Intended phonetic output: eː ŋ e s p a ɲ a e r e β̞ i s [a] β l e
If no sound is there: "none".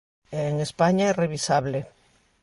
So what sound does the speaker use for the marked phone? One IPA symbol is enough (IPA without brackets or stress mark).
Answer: a